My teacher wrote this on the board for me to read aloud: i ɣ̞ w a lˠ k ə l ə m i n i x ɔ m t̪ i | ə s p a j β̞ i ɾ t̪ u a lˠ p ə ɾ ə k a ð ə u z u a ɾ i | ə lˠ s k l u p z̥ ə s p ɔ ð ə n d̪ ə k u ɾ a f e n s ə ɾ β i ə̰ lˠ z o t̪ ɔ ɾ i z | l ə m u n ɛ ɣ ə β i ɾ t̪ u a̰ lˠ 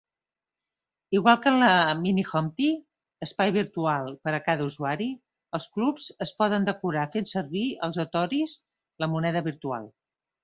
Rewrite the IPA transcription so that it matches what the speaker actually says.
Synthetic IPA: i ɣ̞ w a lˠ k ə l ə m i n i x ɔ m t̪ i | ə s p a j β̞ i ɾ t̪ u a lˠ p ə ɾ ə k a ð ə u z u a ɾ i | ə lˠ s k l u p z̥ ə s p ɔ ð ə n d̪ ə k u ɾ a f e n s ə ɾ β i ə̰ lˠ z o t̪ ɔ ɾ i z | l ə m u n ɛ ð ə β i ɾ t̪ u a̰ lˠ